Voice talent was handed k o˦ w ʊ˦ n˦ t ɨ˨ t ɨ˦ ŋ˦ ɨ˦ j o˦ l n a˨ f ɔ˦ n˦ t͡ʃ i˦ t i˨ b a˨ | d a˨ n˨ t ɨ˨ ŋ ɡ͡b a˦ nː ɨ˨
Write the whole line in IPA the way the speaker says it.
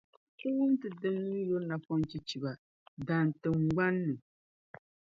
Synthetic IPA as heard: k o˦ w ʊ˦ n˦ t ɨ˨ d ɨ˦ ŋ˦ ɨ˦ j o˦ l n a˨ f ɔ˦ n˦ t͡ʃ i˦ t͡ʃ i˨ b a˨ | d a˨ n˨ t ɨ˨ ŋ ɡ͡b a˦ nː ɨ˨